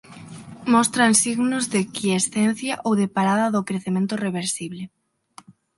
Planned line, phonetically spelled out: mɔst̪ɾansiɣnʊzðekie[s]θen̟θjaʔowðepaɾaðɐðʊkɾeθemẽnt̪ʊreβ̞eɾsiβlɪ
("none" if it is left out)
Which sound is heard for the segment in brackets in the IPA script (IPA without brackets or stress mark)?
s